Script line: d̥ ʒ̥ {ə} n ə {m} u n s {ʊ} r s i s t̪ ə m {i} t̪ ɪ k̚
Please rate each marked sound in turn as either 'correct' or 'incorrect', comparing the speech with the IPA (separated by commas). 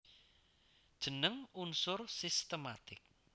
correct, incorrect, correct, incorrect